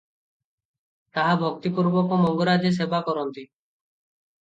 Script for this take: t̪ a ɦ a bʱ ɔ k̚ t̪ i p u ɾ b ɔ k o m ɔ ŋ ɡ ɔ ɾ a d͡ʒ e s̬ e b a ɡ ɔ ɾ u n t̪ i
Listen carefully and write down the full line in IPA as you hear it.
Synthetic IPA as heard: t̪ a ɦ a bʱ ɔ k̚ t̪ i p u ɾ b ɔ k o m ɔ ŋ ɡ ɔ ɾ a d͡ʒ e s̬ e b a k ɔ ɾ ɔ n t̪ i